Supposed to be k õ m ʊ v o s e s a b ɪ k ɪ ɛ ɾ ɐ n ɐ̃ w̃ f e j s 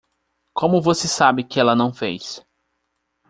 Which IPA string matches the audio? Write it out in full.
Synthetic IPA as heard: k õ m ʊ v o s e s a b ɪ k ɪ ɛ l ɐ n ɐ̃ w̃ f e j s

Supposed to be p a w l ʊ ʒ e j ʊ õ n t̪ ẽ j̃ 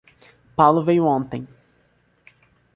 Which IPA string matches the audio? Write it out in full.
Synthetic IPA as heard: p a w l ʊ v e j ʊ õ n t̪ ẽ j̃

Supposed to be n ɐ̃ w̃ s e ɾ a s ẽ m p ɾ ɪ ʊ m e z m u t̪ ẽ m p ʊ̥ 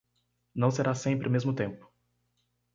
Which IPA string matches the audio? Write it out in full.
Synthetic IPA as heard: n ɐ̃ w̃ s e ɾ a s ẽ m p ɾ ɪ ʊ m e z m ʊ t̪ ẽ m p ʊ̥

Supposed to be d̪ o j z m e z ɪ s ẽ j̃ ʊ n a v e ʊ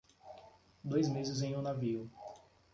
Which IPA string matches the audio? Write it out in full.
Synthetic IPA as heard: d̪ o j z m e z ɪ z ẽ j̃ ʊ n a v i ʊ

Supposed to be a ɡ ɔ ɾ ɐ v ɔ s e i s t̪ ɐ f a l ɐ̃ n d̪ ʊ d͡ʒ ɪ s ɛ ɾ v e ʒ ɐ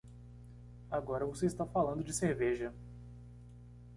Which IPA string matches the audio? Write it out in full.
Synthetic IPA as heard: a ɡ ɔ ɾ ɐ v o s e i s t̪ a f a l ɐ̃ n d̪ ʊ d͡ʒ ɪ s e ɾ v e ʒ ɐ

